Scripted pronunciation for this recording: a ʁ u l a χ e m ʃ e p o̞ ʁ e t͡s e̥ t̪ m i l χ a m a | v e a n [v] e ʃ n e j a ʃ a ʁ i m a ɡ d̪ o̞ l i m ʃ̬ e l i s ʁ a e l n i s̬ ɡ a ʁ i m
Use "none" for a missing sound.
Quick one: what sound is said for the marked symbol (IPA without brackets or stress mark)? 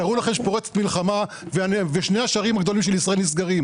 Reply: v